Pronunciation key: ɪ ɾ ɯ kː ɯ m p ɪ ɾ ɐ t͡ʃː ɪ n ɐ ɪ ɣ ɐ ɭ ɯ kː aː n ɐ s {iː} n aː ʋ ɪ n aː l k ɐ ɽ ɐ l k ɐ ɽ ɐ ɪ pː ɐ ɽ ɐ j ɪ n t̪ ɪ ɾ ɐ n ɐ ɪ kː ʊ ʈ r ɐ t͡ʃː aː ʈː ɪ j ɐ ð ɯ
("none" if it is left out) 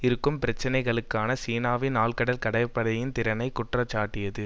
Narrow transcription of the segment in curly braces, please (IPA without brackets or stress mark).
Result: iː